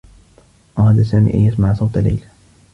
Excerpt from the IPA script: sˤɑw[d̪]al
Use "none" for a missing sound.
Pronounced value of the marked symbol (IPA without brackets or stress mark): t̪